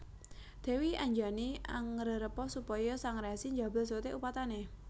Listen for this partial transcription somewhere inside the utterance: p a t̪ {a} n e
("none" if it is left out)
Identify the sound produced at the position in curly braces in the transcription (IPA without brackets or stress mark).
a